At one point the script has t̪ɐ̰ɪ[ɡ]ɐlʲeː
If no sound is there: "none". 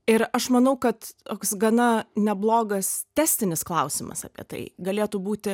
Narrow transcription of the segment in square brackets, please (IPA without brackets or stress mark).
ɡ